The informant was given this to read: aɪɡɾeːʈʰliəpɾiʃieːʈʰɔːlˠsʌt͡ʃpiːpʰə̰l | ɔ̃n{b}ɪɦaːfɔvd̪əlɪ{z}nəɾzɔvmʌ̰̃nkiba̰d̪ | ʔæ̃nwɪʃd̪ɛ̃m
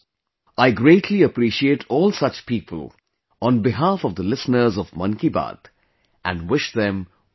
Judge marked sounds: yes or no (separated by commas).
yes, no